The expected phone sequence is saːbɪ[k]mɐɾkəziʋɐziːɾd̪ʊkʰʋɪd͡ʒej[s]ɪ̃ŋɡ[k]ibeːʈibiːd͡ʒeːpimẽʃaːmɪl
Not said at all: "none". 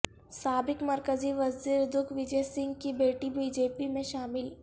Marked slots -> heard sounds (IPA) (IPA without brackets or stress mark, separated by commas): k, s, k